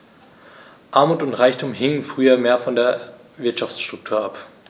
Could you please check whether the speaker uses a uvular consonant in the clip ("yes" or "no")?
yes